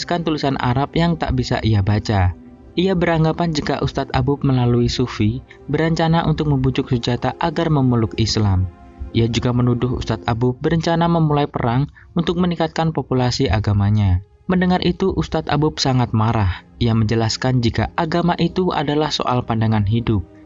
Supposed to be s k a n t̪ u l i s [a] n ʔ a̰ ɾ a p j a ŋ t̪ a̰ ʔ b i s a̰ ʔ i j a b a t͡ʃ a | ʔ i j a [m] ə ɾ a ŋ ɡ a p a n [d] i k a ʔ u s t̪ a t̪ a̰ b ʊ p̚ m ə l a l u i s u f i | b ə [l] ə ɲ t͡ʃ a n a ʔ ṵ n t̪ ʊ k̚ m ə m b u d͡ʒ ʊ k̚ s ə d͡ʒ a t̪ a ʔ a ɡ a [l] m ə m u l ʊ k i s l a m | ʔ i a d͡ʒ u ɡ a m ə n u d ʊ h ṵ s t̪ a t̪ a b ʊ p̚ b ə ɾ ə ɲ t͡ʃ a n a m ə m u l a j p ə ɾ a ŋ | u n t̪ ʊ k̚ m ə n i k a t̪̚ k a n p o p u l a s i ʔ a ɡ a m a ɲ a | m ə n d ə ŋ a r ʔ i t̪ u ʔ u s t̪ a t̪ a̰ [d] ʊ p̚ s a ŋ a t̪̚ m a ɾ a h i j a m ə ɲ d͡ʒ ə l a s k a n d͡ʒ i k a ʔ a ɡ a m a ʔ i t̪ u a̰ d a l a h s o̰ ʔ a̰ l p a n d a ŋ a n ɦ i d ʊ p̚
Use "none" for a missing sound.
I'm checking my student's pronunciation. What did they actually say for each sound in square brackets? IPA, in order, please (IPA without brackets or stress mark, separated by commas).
a, b, d͡ʒ, ɾ, r, b